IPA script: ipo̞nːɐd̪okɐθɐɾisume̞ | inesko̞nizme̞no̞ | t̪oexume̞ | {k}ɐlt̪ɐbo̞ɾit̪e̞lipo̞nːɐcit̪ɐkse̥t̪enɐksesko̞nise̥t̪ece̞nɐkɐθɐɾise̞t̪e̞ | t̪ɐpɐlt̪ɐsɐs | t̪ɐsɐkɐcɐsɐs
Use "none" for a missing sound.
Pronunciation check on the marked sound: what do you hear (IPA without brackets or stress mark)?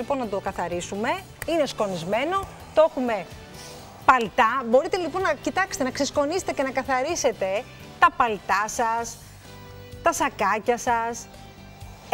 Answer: p